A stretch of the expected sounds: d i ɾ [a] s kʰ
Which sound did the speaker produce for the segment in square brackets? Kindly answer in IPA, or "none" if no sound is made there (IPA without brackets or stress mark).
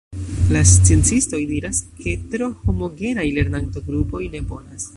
a